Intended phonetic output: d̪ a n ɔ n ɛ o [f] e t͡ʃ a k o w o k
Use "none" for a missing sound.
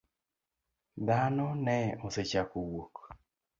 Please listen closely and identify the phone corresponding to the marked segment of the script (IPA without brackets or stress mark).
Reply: s